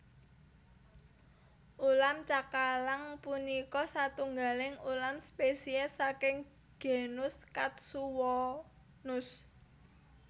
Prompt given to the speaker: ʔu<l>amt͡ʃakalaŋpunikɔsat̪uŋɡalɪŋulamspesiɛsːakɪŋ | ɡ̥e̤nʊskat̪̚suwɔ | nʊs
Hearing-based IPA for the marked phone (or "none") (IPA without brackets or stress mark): l